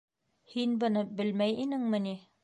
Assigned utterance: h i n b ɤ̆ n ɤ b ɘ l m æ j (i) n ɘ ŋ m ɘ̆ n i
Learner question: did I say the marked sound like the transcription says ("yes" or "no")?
yes